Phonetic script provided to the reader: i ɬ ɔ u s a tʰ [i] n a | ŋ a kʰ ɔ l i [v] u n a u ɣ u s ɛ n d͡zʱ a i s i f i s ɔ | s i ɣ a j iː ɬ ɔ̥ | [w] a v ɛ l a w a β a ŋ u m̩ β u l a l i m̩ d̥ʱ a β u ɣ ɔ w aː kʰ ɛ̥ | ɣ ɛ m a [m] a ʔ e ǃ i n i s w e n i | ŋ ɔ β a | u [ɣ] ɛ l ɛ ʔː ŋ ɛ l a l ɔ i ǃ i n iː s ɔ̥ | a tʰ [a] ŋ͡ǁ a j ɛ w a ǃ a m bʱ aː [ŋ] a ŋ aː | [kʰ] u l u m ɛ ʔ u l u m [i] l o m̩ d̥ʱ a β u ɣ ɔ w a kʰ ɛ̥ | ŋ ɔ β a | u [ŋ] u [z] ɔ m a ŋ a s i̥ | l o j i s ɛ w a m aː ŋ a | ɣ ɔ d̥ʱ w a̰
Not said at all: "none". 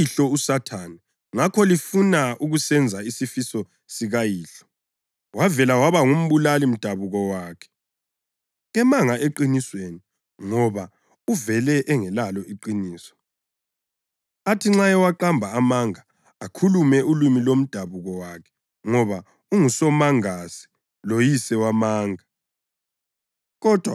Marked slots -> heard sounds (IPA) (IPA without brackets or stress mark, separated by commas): a, f, w, ŋ, v, i, m, kʰ, i, ŋ, s